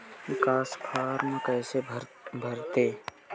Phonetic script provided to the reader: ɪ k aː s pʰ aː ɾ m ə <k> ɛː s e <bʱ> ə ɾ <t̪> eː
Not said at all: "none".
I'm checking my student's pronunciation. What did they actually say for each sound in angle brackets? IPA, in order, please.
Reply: k, bʱ, t̪

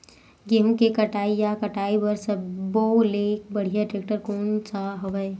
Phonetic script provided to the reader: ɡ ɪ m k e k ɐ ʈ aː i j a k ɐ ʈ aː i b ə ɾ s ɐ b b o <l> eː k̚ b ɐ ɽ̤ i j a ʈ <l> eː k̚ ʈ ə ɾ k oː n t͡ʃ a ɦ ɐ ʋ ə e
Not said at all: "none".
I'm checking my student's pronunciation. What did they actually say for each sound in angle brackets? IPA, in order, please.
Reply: l, ɾ

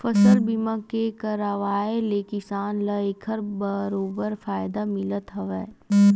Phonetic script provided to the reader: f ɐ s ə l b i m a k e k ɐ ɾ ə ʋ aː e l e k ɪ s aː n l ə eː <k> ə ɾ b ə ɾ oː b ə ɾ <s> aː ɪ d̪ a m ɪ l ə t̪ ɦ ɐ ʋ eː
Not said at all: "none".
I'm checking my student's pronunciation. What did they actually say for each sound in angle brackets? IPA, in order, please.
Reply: kʰ, f

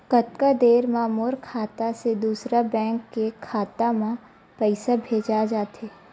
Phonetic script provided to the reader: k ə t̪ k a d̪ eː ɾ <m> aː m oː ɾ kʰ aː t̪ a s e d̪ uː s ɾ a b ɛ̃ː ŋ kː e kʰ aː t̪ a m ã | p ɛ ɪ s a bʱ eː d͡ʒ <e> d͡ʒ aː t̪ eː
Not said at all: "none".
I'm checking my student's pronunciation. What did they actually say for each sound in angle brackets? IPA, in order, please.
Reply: m, a

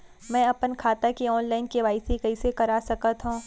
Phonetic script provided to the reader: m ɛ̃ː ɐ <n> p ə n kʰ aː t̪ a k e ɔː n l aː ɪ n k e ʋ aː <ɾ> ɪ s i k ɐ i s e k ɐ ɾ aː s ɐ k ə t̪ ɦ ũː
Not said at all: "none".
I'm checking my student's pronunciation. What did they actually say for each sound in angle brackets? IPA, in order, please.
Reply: none, none

